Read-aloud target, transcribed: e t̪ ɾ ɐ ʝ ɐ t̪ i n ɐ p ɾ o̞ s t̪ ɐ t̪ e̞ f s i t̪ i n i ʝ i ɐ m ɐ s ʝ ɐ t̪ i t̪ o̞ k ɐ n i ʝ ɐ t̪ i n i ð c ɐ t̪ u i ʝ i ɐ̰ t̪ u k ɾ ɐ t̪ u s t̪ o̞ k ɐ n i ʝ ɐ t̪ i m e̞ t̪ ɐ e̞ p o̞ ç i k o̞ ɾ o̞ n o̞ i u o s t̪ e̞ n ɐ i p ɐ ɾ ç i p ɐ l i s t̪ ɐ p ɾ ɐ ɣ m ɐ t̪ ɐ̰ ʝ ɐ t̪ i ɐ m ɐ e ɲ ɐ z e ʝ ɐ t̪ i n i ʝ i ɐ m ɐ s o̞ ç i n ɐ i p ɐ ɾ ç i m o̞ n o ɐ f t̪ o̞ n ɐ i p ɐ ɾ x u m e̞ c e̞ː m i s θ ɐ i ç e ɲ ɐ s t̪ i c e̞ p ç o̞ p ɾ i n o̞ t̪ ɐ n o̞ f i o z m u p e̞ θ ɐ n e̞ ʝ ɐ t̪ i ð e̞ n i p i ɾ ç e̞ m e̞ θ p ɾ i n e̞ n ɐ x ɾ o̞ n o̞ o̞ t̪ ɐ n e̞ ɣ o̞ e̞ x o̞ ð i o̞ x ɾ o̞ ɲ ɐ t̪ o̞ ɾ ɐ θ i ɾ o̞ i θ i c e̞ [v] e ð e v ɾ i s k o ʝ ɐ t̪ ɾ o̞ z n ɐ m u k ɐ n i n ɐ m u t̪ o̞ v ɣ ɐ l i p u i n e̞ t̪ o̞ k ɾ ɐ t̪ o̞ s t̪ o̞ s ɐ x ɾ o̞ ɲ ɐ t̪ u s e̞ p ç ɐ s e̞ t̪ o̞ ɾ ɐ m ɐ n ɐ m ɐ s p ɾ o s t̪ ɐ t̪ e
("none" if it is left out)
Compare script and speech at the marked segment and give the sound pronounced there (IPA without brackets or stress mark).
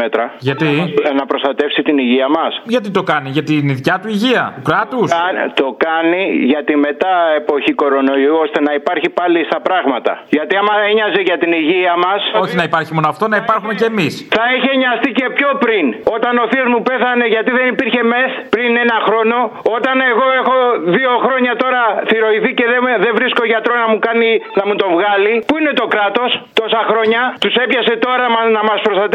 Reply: ð